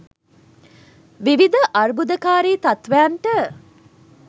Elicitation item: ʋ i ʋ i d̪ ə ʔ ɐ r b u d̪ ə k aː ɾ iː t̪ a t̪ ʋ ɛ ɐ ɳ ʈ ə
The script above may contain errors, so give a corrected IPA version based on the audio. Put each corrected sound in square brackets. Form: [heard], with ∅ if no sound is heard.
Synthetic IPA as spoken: ʋ i ʋ i d̪ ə ʔ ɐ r b u d̪ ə k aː ɾ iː t̪ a t̪ ʋ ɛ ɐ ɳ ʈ ə